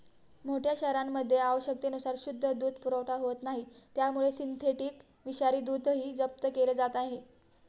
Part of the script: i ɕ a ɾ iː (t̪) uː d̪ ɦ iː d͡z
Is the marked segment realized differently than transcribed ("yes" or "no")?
yes